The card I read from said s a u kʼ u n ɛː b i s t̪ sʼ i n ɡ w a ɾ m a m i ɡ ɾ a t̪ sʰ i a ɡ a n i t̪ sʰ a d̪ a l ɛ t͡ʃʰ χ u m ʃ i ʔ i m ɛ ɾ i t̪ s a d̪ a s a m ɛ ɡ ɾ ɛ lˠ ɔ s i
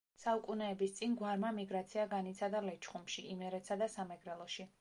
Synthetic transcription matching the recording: s a u kʼ u n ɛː b i s t̪ sʼ i n ɡ w a ɾ m a m i ɡ ɾ a t̪ sʰ i a ɡ a n i t̪ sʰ a d̪ a l ɛ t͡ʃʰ χ u m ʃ i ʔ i m ɛ ɾ ɛ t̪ s a d̪ a s a m ɛ ɡ ɾ ɛ lˠ ɔ ʃ i